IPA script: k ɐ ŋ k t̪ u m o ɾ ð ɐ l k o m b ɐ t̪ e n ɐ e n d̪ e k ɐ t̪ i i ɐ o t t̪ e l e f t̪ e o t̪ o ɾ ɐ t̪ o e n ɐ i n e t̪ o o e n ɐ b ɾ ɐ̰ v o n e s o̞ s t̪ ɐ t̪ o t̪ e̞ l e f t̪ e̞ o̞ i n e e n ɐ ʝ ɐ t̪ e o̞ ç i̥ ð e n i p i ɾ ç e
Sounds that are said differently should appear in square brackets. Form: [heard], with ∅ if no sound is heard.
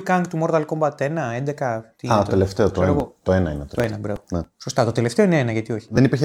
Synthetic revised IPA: k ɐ ŋ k t̪ u m o ɾ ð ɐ l k o m b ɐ t̪ e n ɐ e n d̪ e k ɐ t̪ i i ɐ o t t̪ e l e f t̪ e o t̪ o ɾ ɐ t̪ o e n ɐ i n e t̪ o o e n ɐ b ɾ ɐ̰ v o n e s o̞ s t̪ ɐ t̪ o t̪ e̞ l e f t̪ e̞ o̞ i n e e n ɐ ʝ ɐ t̪ [i] o̞ ç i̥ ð e n i p i ɾ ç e